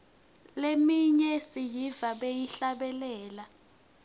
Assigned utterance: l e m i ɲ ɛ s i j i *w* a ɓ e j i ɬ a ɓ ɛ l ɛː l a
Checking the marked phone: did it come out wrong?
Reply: yes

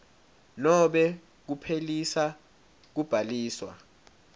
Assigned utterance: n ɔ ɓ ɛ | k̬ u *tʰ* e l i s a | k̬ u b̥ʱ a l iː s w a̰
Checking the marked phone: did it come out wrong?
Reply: yes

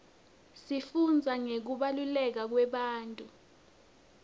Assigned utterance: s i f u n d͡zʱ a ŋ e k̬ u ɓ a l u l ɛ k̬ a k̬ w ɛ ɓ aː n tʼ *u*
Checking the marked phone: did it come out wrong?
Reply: no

